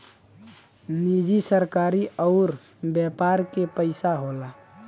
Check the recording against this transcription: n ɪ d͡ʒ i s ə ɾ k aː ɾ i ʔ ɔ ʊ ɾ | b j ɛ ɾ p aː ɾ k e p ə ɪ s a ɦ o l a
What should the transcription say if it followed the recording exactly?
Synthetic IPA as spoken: n i d͡ʒ i s ə ɾ k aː ɾ i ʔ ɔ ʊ ɾ | b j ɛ p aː ɾ k e p ə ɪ s a ɦ o l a